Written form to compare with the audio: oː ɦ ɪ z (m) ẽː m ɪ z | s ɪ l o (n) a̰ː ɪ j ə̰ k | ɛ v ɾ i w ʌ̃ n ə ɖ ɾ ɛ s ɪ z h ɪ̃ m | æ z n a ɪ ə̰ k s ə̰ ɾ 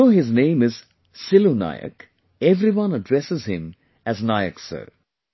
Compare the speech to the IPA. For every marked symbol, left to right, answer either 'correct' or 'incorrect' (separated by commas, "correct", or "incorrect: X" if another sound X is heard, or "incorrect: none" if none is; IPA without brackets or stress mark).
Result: incorrect: n, correct